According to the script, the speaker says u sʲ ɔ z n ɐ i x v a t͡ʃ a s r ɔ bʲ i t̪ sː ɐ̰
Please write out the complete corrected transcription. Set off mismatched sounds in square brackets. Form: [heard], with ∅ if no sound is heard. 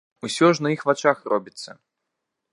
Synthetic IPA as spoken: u sʲ ɔ [ʐ] n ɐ i x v a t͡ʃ a [x] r ɔ bʲ i t̪ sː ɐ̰